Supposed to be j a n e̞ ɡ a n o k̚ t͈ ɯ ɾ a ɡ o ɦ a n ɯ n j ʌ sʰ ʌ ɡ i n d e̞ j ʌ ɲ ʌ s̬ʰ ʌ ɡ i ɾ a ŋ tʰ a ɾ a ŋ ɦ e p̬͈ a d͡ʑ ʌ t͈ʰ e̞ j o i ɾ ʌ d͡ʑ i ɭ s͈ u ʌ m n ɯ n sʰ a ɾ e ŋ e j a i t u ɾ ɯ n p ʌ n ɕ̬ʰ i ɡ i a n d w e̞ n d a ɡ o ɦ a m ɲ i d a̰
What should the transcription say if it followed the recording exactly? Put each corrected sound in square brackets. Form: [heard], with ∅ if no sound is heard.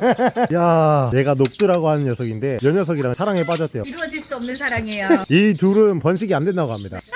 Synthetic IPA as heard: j a n e̞ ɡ a n o k̚ t͈ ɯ ɾ a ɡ o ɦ a n ɯ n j ʌ sʰ ʌ ɡ i n d e̞ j ʌ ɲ ʌ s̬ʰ ʌ ɡ i ɾ a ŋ [sʰ] a ɾ a ŋ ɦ e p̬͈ a d͡ʑ ʌ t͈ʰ e̞ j o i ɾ ʌ d͡ʑ i ɭ s͈ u ʌ m n ɯ n sʰ a ɾ [a] ŋ e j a i t u ɾ ɯ n p ʌ n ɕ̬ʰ i ɡ i a n d w e̞ n d a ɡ o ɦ a m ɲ i d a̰